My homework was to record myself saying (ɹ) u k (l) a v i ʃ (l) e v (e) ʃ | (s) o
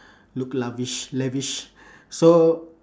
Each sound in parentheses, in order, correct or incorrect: incorrect: l, correct, correct, incorrect: i, correct

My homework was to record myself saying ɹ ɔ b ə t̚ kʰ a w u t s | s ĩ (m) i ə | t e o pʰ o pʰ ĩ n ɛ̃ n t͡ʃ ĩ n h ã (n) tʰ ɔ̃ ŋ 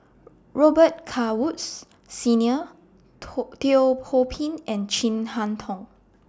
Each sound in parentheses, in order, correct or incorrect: incorrect: n, correct

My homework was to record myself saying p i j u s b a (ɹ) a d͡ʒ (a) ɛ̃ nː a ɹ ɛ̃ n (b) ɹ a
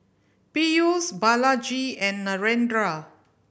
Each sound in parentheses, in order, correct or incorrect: incorrect: l, incorrect: i, incorrect: d

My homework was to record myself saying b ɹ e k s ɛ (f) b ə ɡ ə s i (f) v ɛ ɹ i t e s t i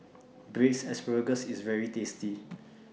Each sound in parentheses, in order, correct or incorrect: incorrect: s, incorrect: s

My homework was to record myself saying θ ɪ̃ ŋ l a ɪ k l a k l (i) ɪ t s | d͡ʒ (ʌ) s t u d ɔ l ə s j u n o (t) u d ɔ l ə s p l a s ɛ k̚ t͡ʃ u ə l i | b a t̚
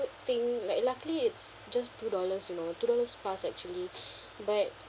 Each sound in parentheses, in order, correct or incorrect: correct, incorrect: a, correct

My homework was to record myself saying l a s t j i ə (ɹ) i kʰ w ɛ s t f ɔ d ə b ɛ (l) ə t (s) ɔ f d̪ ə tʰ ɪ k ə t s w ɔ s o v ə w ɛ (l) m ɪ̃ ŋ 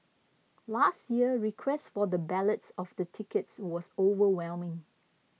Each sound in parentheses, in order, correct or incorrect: correct, correct, correct, correct

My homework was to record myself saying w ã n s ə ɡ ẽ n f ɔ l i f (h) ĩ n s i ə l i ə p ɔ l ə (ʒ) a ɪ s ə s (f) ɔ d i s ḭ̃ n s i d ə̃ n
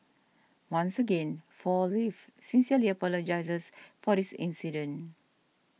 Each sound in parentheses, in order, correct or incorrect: incorrect: s, incorrect: d͡ʒ, correct

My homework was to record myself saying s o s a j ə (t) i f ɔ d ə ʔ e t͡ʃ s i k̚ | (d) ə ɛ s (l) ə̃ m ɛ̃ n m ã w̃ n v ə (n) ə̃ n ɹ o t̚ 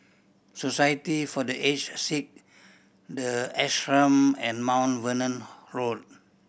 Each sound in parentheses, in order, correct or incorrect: correct, correct, incorrect: ɹ, correct

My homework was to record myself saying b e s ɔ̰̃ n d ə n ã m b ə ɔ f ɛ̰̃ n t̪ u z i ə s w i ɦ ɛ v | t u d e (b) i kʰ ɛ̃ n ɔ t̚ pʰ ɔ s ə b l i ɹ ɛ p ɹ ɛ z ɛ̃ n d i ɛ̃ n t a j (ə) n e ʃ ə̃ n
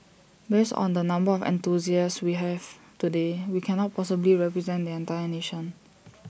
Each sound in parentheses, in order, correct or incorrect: incorrect: w, correct

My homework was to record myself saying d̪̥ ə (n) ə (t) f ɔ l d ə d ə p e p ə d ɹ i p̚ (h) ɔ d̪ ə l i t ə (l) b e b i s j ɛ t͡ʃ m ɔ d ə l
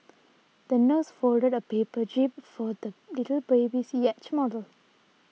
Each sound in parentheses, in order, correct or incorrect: correct, incorrect: s, incorrect: f, correct

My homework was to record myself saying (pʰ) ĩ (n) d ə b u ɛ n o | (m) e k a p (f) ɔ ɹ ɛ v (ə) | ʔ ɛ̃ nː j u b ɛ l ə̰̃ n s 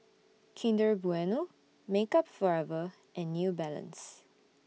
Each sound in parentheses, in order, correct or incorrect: incorrect: kʰ, correct, correct, correct, correct

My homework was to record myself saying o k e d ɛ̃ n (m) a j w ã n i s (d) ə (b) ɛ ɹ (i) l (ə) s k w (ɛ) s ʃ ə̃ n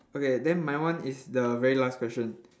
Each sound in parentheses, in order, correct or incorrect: correct, correct, incorrect: v, correct, incorrect: a, correct

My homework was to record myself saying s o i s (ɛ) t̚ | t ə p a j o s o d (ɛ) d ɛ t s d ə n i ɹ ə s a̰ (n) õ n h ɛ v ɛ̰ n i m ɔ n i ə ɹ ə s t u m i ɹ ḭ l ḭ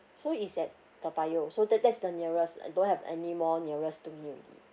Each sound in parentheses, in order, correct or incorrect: correct, correct, incorrect: d

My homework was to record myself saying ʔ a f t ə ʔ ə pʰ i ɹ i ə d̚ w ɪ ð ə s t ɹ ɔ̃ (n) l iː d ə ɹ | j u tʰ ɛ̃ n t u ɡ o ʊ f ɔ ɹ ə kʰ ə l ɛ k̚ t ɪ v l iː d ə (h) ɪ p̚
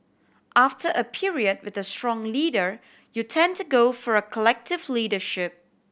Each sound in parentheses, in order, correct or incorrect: incorrect: ŋ, incorrect: ʃ

